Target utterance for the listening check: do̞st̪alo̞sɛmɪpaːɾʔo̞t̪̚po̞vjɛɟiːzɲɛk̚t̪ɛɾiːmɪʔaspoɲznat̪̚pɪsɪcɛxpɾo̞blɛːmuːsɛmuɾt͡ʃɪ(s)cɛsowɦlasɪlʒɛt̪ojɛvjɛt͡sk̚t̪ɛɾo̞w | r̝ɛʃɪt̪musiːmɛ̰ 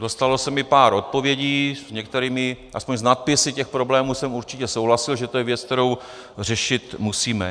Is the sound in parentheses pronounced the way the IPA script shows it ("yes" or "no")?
no